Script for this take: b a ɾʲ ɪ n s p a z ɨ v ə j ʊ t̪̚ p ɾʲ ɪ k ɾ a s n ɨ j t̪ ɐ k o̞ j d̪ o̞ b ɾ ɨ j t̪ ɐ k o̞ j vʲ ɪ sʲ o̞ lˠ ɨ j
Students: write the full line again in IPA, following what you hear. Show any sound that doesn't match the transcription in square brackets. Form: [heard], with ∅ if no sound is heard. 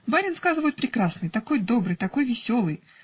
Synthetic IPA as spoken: b a ɾʲ ɪ n s [k] a z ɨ v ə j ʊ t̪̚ p ɾʲ ɪ k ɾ a s n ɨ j t̪ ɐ k o̞ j d̪ o̞ b ɾ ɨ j t̪ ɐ k o̞ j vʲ ɪ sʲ o̞ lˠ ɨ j